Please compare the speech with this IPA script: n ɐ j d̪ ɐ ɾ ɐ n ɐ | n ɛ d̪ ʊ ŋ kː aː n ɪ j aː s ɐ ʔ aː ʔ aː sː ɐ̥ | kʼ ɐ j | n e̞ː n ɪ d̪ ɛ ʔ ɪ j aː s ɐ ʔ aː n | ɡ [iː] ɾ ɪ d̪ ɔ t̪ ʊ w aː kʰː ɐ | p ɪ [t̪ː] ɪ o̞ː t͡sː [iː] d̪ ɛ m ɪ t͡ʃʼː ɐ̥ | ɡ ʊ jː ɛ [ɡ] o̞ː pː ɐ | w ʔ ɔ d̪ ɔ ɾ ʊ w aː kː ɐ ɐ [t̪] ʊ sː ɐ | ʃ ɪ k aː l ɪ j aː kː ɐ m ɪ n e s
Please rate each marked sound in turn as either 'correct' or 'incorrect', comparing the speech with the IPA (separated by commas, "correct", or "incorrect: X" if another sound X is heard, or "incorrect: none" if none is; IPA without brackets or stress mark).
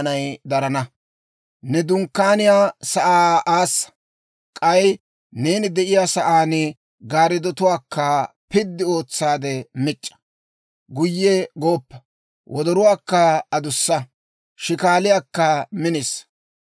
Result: incorrect: aː, incorrect: d̪ː, incorrect: aː, correct, incorrect: d̪